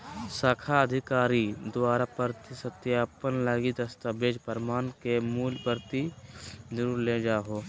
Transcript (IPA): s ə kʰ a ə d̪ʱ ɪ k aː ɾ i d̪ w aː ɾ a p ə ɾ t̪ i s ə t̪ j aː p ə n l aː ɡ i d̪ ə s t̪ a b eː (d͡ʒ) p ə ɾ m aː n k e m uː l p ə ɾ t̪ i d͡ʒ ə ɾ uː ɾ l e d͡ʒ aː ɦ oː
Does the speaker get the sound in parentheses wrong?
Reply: no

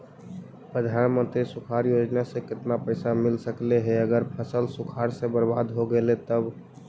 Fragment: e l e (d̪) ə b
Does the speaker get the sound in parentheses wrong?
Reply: yes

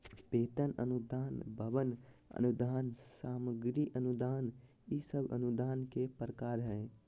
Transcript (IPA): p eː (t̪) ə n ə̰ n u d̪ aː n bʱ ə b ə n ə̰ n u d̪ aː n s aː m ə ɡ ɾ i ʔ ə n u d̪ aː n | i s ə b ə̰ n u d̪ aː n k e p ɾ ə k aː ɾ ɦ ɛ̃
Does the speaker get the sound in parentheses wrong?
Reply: no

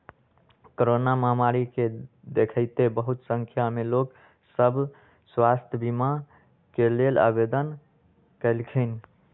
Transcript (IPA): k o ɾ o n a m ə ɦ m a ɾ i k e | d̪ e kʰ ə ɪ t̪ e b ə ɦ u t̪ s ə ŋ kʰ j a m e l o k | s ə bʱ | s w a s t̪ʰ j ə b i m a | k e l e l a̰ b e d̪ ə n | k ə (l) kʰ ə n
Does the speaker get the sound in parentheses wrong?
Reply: no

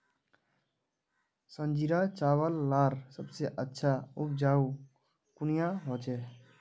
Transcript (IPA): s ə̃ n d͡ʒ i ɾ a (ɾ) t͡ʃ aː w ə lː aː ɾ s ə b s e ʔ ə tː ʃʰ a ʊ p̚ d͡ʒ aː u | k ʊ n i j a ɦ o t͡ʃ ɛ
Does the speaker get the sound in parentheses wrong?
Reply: yes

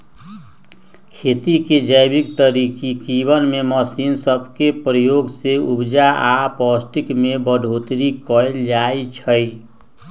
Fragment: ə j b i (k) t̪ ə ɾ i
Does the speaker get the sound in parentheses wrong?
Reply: no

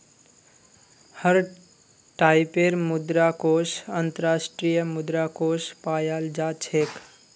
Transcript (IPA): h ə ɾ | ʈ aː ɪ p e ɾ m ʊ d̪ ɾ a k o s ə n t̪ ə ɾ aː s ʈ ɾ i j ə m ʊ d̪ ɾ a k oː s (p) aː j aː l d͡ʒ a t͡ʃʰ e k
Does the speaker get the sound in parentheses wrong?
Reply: no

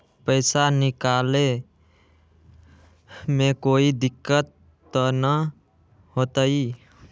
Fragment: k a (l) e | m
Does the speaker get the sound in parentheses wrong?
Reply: no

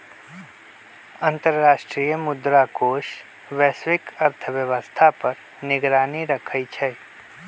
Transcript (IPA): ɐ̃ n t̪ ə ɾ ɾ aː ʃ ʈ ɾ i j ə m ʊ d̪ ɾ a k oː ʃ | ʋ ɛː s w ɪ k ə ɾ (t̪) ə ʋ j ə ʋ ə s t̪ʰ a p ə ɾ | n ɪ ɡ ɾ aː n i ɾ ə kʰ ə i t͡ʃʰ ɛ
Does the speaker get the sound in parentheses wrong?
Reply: yes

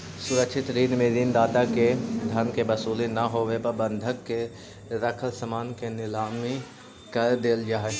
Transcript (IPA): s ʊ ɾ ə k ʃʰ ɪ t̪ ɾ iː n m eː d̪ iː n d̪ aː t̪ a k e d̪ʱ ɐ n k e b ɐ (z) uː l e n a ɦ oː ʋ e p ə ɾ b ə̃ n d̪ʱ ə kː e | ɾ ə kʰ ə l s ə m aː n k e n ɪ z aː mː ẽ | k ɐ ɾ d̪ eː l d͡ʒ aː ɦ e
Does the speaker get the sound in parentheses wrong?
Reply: yes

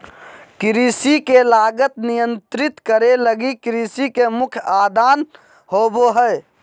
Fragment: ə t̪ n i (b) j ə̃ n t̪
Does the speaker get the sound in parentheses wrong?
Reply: yes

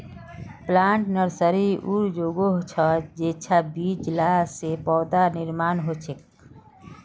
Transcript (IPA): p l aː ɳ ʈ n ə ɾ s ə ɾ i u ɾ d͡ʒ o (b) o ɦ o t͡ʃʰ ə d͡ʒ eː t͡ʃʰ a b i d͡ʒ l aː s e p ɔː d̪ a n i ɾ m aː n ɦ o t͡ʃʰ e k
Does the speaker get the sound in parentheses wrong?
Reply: yes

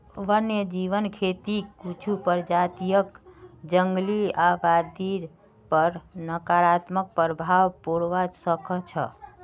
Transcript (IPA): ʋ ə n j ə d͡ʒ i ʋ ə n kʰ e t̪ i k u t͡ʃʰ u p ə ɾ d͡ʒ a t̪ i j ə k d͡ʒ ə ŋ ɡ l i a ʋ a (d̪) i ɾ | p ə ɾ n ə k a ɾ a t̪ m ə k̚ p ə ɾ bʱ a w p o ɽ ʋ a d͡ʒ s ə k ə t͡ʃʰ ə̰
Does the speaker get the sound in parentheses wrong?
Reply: no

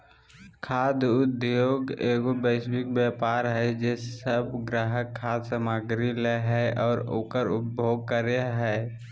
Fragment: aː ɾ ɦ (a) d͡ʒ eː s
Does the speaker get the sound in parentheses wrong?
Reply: yes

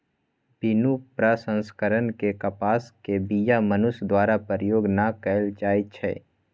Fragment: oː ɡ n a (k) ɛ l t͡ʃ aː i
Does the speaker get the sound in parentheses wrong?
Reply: no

